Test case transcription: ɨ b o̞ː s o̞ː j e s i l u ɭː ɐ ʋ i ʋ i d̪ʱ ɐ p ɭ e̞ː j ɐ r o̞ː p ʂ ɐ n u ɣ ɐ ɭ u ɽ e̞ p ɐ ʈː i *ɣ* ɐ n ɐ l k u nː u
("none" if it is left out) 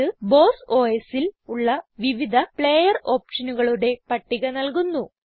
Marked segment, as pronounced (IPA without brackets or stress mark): ɣ